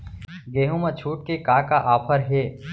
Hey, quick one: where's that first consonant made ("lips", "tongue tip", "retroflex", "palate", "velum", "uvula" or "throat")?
velum